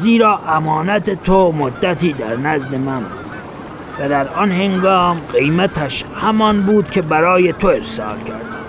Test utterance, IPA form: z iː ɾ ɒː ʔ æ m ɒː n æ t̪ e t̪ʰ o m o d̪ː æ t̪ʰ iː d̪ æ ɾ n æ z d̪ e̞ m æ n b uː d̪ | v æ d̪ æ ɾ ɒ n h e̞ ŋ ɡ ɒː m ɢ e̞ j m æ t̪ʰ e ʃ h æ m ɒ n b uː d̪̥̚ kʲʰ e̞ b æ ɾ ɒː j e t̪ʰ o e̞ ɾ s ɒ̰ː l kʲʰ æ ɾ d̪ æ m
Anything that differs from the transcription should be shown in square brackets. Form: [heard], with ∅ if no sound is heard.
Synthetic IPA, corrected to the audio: z iː ɾ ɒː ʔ æ m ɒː n æ t̪ e t̪ʰ o m o d̪ː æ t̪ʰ iː d̪ æ ɾ n æ z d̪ e̞ m æ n b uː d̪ | v æ d̪ æ ɾ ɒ n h e̞ ŋ ɡ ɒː m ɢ e̞ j m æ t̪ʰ [æ] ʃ h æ m ɒ n b uː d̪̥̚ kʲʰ e̞ b æ ɾ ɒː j e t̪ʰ o e̞ ɾ s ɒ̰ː l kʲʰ æ ɾ d̪ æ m